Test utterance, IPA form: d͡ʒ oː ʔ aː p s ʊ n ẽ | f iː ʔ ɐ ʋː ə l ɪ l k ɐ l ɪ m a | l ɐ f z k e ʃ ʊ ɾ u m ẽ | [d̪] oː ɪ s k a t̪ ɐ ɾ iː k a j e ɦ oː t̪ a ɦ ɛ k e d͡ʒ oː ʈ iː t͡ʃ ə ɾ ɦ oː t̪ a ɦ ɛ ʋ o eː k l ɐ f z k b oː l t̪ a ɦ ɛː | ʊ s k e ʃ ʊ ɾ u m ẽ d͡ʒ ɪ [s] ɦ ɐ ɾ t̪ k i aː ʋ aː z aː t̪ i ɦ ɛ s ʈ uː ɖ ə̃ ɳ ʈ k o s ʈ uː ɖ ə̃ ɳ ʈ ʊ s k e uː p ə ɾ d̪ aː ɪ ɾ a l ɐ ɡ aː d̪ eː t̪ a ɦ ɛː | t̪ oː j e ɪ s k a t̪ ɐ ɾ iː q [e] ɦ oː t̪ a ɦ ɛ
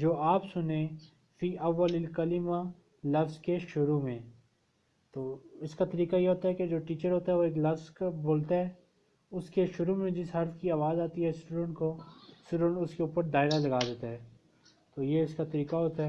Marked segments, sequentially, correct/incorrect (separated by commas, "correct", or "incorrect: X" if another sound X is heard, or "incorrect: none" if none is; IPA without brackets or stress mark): incorrect: t̪, correct, incorrect: a